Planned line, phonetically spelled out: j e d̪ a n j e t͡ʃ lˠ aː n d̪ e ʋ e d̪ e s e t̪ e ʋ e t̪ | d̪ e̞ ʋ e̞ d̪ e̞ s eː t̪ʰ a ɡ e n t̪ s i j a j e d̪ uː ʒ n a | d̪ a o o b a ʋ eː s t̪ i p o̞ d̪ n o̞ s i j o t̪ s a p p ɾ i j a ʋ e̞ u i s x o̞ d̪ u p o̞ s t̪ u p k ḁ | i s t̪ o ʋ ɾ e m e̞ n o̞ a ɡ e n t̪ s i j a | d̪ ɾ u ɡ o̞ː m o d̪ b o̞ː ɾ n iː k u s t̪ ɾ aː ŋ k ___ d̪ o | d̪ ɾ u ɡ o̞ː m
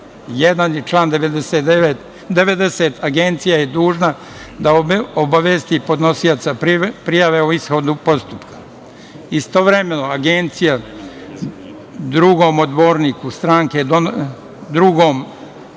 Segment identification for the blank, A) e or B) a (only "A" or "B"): A